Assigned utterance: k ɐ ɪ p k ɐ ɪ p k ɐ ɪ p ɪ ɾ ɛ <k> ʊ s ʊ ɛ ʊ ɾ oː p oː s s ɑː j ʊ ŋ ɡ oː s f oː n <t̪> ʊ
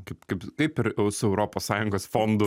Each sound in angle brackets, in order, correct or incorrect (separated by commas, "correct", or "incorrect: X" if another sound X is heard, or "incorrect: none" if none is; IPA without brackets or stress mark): incorrect: none, incorrect: d̪